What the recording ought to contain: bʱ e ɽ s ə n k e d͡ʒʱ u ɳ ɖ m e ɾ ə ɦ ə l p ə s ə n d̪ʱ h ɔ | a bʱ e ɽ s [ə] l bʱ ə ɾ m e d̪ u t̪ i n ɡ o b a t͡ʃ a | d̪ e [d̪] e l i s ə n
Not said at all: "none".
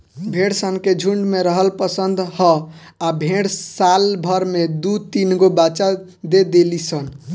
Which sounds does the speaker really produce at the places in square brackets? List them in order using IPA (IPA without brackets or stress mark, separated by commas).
a, d̪